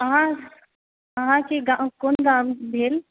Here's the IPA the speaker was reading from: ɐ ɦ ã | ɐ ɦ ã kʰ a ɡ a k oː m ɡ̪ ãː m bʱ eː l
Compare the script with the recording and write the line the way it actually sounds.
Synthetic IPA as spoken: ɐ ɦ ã | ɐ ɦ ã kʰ e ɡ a k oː n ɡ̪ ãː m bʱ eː l

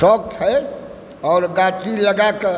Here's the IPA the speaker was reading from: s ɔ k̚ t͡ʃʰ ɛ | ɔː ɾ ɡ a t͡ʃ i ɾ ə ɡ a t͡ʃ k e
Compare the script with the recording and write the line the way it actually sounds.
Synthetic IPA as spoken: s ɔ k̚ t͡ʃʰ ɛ | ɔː ɾ ɡ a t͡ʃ i l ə ɡ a k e

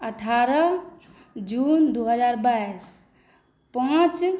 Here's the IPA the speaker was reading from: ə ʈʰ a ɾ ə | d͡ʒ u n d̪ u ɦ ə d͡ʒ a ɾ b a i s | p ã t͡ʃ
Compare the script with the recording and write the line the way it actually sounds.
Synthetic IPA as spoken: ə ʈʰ a ɾ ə | d͡ʒ u n d̪ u ɦ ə d͡ʒ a ɾ b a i s | p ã t͡ʃ

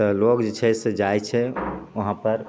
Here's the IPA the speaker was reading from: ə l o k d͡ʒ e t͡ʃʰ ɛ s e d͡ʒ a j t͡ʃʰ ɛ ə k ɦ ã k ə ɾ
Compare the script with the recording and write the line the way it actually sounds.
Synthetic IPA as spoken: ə l o k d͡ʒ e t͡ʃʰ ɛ s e d͡ʒ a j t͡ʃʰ ɛ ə ɦ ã p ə ɾ

